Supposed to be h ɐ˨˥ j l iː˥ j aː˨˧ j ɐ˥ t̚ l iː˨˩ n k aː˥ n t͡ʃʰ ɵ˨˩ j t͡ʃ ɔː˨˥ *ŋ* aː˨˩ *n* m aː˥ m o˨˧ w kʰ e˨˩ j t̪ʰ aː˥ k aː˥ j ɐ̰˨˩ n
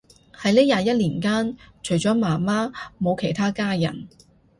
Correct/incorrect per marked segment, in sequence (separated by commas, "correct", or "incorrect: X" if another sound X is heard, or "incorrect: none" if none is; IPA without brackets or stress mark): incorrect: m, incorrect: none